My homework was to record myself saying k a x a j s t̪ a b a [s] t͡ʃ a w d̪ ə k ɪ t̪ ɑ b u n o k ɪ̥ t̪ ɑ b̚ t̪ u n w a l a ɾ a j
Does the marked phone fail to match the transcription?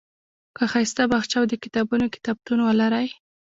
yes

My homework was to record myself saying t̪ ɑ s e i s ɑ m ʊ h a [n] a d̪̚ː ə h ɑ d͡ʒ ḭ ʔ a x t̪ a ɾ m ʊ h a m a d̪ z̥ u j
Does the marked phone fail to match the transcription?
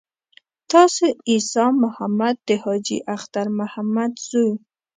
yes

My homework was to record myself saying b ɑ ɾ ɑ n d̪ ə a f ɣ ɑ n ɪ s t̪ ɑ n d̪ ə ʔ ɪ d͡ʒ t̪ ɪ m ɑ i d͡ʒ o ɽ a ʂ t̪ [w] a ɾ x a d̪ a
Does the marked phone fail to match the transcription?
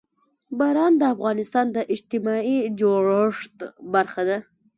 yes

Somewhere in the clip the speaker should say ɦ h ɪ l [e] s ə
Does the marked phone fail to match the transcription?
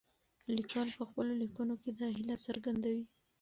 yes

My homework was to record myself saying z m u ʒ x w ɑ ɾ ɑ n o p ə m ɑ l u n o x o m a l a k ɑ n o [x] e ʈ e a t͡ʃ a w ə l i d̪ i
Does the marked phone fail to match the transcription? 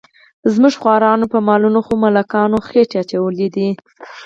no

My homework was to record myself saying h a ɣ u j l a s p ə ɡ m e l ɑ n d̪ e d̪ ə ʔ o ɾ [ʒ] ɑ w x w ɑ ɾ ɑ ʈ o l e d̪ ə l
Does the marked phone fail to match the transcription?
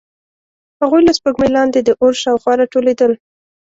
yes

